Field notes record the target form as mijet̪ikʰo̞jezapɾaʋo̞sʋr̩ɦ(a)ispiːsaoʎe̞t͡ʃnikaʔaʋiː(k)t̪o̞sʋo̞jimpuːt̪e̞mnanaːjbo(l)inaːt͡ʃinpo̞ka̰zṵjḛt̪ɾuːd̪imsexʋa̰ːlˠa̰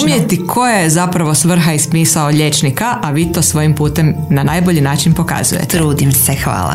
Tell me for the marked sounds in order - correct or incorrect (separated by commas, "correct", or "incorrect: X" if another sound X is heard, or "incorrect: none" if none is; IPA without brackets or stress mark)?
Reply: correct, incorrect: none, incorrect: ʎ